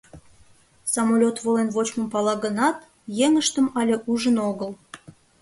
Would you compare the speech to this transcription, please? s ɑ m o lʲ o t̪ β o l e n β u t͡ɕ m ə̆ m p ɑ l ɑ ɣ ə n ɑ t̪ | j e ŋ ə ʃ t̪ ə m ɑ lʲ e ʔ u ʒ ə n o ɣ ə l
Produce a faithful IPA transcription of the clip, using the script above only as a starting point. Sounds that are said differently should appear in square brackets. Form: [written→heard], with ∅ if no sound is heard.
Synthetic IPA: s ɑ m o lʲ o t̪ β o l e n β [u→o] t͡ɕ m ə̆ m p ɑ l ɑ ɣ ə n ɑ t̪ | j e ŋ ə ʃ t̪ ə m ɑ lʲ e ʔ u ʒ ə n o ɣ ə l